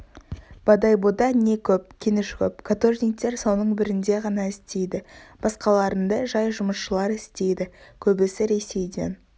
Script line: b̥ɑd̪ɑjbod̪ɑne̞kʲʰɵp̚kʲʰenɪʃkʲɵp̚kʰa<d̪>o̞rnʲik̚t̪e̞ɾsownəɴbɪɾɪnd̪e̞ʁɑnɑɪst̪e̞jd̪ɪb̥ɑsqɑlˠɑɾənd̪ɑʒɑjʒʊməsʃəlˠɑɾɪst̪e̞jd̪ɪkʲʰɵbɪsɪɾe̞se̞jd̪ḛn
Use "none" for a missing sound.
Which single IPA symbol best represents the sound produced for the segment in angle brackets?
t̪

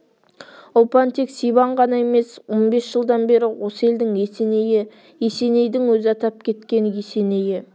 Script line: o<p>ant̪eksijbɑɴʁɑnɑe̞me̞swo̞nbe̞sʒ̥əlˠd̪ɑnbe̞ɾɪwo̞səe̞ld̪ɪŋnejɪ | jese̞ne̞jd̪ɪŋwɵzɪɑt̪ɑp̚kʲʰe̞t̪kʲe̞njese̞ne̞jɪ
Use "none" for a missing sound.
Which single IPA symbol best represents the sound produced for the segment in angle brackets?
p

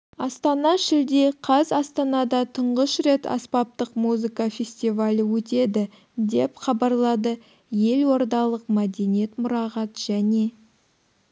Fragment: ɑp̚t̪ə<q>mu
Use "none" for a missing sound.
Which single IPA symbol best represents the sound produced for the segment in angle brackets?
q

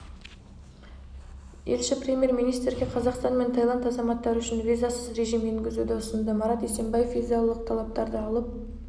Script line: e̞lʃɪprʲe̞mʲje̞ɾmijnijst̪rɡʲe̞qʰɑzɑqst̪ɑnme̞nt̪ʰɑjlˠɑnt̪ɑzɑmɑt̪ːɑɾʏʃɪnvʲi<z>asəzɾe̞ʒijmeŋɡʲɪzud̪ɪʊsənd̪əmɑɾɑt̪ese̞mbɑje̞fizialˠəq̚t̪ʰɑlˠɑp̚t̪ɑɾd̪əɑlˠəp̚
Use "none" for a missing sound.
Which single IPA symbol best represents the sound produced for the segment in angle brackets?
z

